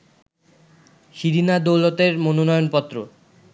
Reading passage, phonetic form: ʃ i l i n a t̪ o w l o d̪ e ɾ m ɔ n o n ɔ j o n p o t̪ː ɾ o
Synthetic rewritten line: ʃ i ɾ i n a d̪ o w l o t̪ e ɾ m o n o n ɔ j o n p ɔ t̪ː ɾ o

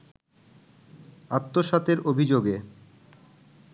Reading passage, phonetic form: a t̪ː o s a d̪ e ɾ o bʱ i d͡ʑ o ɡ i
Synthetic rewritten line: a t̪ː o ʃ a t̪ e ɾ o bʱ i d͡ʑ o ɡ e

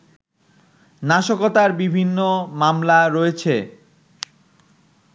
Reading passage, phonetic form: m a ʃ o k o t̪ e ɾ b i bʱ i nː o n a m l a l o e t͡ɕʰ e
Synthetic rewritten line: n a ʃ o k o t̪ a ɾ b i bʱ i nː o m a m l a ɾ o e t͡ɕʰ e

